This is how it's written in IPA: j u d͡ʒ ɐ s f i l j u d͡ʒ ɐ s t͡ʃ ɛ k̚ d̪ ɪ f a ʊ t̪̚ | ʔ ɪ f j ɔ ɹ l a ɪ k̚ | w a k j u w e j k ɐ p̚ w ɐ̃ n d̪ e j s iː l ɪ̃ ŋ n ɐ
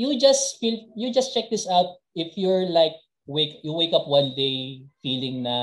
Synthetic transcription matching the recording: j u d͡ʒ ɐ s f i l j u d͡ʒ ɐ s t͡ʃ ɛ k̚ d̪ ɪ s a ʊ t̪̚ | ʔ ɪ f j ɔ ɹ l a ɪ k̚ | w e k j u w e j k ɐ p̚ w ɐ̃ n d̪ e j f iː l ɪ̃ ŋ n ɐ